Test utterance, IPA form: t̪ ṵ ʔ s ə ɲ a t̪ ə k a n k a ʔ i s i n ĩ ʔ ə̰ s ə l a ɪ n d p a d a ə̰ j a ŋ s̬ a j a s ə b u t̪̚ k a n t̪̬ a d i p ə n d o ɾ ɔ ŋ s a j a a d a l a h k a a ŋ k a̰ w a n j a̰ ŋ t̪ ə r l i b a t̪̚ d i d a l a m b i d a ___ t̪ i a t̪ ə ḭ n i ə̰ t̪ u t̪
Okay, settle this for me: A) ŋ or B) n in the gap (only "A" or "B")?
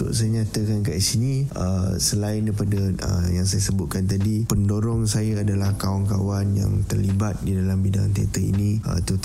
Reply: A